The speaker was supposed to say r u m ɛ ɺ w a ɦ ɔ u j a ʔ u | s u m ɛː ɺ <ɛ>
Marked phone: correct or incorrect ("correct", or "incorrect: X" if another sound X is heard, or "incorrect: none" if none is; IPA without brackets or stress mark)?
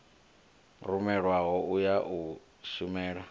incorrect: a